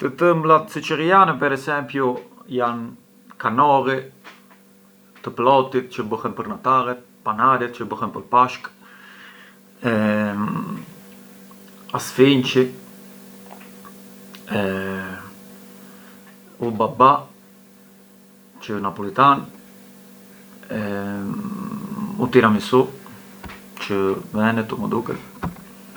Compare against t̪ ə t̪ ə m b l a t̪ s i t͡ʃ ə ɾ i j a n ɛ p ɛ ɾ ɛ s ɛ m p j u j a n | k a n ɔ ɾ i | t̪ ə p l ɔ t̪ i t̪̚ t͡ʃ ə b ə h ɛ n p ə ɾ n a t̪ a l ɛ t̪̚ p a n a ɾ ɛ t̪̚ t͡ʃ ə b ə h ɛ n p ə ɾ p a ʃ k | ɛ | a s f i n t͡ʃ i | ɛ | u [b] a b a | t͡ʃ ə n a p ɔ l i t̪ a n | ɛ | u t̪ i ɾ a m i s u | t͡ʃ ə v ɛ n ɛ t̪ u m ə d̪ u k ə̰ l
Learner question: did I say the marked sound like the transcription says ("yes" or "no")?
yes